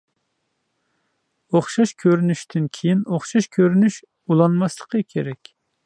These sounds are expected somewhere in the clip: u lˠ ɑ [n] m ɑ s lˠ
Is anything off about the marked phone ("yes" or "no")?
no